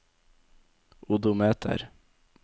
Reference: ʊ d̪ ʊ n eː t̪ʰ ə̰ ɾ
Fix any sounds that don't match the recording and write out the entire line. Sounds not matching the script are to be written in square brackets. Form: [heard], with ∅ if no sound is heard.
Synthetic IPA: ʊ d̪ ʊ [m] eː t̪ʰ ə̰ ɾ